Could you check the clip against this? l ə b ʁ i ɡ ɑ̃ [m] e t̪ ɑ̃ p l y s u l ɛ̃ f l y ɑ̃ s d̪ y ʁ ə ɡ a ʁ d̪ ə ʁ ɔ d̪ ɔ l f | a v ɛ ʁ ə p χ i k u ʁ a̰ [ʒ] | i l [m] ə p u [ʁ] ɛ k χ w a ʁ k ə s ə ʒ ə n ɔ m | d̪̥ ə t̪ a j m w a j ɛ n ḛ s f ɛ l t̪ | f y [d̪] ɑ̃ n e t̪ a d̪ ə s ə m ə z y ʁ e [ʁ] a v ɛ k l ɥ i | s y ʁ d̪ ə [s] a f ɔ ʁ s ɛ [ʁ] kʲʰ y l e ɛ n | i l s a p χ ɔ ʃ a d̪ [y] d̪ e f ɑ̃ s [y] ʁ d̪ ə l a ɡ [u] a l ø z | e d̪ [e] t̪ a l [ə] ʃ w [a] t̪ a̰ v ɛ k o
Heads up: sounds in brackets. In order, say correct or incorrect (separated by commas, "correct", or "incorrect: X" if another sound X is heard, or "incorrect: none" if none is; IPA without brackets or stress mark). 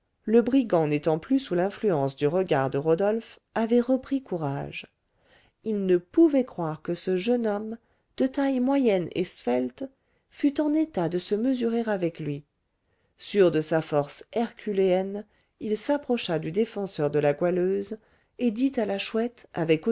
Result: incorrect: n, correct, incorrect: n, incorrect: v, incorrect: t̪, correct, correct, correct, correct, incorrect: œ, incorrect: w, incorrect: i, incorrect: a, incorrect: ɛ